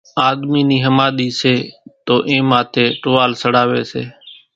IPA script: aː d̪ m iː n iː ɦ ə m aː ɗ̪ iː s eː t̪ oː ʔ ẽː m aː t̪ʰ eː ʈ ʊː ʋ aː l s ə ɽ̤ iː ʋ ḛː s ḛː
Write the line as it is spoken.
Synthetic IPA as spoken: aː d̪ m iː n iː ɦ ə m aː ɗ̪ iː s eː t̪ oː ʔ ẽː m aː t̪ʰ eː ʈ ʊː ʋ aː l s ə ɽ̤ aː ʋ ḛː s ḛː

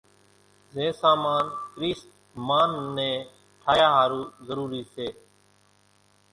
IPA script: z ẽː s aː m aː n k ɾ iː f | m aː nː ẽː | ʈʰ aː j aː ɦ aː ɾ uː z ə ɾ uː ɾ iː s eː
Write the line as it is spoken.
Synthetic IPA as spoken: z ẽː s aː m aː n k ɾ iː s | m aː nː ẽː | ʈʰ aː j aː ɦ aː ɾ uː z ə ɾ uː ɾ iː s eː

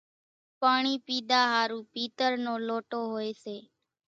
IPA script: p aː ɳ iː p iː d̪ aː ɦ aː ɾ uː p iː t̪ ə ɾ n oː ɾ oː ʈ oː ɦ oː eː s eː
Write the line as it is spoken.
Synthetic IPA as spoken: p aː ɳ iː p iː d̪ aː ɦ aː ɾ uː p iː t̪ ə ɾ n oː l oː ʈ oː ɦ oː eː s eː

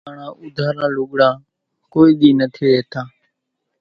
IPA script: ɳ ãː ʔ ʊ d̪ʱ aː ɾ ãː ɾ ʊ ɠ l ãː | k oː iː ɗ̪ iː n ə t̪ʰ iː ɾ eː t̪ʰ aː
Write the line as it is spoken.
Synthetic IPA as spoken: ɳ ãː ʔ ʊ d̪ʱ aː ɾ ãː l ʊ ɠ ɽ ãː | k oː iː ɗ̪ iː n ə t̪ʰ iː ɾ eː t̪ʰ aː

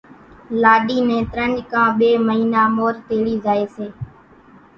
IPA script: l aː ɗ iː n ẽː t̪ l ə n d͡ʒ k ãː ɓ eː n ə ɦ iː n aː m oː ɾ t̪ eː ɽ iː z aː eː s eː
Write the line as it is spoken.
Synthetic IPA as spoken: l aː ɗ iː n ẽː t̪ ɾ ə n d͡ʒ k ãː ɓ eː m ə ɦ iː n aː m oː ɾ t̪ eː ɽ iː z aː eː s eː

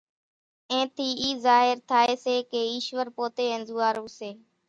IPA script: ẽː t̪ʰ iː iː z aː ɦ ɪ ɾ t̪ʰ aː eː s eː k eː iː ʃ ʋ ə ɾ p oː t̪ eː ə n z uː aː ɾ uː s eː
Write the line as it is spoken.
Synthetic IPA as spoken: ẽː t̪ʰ iː iː z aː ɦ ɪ ɾ t̪ʰ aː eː s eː k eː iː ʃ ʋ ə ɾ p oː t̪ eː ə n z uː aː ɾ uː s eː

